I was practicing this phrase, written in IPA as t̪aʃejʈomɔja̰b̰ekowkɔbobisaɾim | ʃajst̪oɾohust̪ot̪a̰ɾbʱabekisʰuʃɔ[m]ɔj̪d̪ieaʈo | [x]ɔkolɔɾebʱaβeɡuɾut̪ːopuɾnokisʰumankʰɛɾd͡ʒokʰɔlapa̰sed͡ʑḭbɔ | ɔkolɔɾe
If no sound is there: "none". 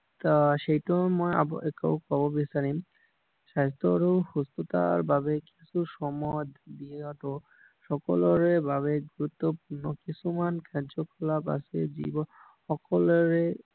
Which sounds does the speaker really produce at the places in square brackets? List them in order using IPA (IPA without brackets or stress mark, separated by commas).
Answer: m, ʃ